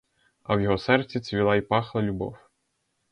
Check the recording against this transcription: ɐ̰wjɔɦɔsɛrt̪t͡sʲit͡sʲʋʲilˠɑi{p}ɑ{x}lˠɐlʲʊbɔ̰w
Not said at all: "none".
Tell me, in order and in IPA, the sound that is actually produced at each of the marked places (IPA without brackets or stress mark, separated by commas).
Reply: p, x